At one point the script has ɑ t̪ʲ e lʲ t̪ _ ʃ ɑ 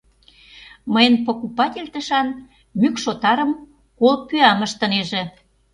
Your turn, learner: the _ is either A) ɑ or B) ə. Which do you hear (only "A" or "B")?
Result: B